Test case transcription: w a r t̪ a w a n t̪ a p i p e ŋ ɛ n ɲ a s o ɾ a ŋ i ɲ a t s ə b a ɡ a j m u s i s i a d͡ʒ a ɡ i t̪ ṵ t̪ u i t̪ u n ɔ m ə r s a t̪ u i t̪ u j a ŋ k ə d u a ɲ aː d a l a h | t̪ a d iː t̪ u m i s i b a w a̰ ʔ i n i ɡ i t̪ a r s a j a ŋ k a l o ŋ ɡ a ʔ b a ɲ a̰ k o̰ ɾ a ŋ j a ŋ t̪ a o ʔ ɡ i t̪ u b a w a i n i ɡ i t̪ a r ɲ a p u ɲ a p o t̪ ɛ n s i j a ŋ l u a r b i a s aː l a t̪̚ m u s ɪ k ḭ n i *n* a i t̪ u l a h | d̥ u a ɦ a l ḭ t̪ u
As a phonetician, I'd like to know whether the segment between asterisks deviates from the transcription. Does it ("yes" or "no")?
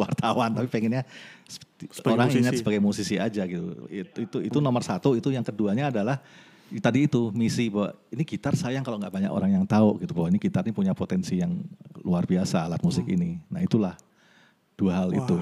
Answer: no